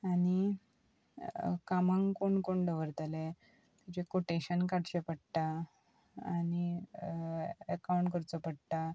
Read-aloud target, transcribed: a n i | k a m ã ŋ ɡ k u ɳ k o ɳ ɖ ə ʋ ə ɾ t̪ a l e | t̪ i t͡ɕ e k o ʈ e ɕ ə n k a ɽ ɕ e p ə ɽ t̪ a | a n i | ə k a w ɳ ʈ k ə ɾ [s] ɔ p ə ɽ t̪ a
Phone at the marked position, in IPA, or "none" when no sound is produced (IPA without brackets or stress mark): t͡s